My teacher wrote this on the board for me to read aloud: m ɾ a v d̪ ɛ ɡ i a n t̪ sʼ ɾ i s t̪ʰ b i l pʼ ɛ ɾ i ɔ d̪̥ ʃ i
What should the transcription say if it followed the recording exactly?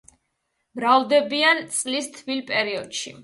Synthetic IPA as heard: m ɾ a v d̪ ɛ b i a n t̪ sʼ l i s t̪ʰ v i l pʼ ɛ ɾ i ɔ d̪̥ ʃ i